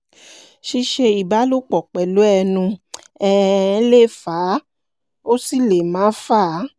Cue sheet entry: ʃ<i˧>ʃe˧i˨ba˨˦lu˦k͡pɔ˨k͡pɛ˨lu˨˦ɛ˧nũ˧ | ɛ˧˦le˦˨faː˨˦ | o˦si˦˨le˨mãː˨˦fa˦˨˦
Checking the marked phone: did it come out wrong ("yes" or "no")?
no